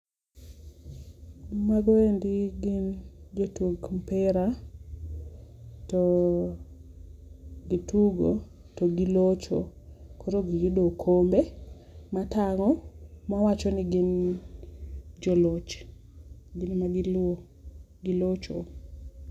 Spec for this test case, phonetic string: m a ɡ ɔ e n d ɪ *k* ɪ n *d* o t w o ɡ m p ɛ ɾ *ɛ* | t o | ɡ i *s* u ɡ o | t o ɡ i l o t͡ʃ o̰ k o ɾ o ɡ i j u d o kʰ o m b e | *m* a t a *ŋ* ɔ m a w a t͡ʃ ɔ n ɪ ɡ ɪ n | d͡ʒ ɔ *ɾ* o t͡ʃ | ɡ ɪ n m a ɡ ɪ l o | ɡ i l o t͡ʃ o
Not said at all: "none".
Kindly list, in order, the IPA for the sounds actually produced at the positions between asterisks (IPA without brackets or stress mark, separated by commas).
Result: ɡ, d͡ʒ, a, t, m, ŋ, l